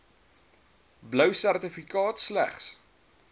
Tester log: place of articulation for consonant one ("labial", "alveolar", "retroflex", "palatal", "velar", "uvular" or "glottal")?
labial